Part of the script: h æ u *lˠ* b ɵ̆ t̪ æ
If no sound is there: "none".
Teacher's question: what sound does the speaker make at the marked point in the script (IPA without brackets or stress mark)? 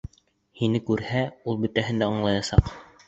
lˠ